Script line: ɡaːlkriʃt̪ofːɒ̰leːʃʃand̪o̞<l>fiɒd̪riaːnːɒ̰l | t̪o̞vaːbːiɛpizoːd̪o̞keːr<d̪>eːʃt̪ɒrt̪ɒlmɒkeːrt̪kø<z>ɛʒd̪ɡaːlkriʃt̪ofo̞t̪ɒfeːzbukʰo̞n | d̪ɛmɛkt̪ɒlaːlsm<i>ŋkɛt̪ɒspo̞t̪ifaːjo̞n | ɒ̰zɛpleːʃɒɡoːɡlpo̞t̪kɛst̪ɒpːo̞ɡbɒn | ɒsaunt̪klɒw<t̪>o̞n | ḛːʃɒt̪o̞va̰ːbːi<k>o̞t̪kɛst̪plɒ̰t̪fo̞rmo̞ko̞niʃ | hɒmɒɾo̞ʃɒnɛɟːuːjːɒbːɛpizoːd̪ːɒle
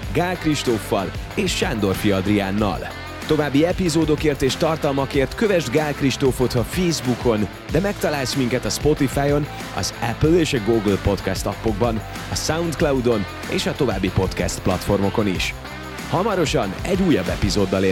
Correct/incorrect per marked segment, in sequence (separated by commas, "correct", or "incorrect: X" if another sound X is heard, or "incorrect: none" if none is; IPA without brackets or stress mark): incorrect: r, incorrect: t̪, incorrect: v, correct, incorrect: d̪, incorrect: p